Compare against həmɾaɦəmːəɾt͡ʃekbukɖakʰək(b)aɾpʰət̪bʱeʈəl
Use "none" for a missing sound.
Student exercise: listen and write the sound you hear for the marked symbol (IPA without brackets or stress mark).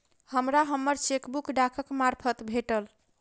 m